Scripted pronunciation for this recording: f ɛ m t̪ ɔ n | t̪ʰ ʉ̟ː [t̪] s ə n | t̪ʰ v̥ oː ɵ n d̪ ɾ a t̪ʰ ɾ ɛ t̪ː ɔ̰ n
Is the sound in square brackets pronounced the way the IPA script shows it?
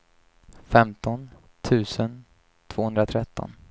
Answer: no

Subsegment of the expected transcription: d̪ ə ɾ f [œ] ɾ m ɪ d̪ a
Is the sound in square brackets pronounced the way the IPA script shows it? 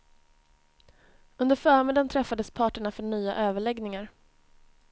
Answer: no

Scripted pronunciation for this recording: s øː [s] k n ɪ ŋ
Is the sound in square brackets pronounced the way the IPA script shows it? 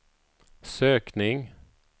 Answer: no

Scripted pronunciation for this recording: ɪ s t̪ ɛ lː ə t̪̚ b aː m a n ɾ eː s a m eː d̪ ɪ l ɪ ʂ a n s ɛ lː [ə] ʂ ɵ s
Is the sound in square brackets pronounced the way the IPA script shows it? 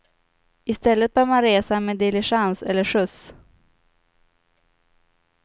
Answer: yes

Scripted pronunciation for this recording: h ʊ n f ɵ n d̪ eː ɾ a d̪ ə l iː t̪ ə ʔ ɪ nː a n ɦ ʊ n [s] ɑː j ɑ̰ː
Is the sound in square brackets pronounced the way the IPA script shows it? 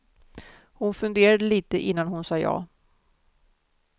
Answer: yes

